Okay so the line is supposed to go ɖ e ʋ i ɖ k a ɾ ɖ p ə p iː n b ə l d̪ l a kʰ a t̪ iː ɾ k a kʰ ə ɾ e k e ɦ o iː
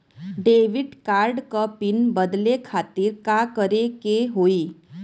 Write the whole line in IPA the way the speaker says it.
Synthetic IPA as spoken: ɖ e ʋ i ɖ k a ɾ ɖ k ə p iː n b ə d̪ l e kʰ a t̪ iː ɾ k a k ə ɾ e k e ɦ o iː